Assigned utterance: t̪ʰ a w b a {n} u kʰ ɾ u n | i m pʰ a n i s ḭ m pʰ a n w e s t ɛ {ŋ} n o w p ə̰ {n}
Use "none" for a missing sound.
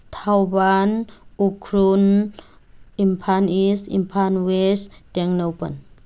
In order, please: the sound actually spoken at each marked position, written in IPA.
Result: n, ŋ, n

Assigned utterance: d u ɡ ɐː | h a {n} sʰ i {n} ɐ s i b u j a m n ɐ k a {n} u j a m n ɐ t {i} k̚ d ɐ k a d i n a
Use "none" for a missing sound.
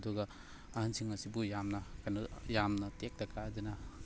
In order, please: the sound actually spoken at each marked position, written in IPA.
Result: n, ŋ, n, e

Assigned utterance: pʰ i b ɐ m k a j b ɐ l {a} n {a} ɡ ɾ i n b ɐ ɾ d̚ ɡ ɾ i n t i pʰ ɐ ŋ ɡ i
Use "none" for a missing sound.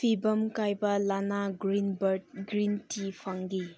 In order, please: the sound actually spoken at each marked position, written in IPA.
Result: a, a

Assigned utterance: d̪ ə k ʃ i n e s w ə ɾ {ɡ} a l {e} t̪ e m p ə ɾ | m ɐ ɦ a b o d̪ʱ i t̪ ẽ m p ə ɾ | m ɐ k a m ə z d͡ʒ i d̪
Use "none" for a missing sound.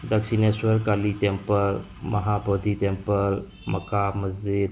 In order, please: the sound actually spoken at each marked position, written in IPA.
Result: k, i

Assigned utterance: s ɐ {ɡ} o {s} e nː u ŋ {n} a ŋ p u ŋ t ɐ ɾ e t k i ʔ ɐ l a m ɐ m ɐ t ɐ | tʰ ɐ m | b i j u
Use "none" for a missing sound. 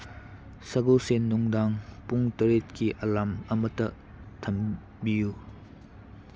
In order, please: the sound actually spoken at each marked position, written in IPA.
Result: ɡ, s, d

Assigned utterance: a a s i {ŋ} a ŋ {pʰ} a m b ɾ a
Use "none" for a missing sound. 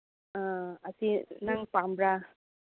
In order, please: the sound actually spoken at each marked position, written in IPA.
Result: n, p

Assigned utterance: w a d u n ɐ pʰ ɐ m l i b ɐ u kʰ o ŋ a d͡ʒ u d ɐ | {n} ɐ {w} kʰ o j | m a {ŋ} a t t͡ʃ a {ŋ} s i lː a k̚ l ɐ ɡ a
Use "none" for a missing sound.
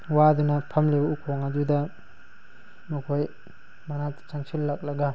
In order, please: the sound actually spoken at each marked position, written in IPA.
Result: m, none, n, ŋ

